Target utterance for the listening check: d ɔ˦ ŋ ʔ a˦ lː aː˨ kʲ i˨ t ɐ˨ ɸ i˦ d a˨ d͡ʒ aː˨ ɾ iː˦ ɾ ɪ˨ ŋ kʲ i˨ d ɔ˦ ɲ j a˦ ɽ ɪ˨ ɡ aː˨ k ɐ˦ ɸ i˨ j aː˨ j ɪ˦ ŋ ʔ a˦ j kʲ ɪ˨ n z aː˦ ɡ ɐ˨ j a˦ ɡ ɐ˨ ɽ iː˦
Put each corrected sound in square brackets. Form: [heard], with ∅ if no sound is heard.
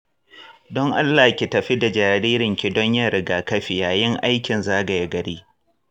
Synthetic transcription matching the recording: d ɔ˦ ŋ ʔ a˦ lː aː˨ kʲ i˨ t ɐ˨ ɸ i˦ d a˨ d͡ʒ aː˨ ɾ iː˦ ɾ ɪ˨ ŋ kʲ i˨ d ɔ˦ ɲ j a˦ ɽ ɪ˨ ɡ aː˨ k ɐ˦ ɸ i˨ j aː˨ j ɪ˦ ŋ ʔ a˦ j kʲ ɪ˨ n z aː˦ ɡ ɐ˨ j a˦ ɡ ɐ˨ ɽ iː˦